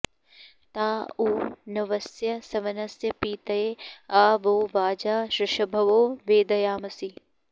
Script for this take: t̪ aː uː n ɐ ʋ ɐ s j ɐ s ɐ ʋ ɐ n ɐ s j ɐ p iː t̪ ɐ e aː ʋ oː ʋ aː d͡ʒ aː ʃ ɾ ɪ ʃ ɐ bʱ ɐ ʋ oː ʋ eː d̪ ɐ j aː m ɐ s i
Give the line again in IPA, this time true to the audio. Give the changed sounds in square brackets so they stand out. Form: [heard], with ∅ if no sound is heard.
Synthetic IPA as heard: t̪ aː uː n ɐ ʋ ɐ s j ɐ s ɐ ʋ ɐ n ɐ s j ɐ p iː t̪ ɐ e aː ʋ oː ʋ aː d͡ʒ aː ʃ ɾ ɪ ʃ ɐ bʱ ɐ ʋ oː ʋ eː d̪ ɐ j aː m ɐ s i